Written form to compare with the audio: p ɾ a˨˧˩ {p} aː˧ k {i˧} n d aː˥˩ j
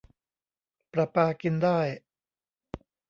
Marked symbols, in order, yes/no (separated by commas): yes, yes